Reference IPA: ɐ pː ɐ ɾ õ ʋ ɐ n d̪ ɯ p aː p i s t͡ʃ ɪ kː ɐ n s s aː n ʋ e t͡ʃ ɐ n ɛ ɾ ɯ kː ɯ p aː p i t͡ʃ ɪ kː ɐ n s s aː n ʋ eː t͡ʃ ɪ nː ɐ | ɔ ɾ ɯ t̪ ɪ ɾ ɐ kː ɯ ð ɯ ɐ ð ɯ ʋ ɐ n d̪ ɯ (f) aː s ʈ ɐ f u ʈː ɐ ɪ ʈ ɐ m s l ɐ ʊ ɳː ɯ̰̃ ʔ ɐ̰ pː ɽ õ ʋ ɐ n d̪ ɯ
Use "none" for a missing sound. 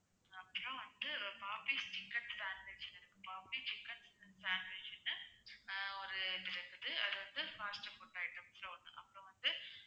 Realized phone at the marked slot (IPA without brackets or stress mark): f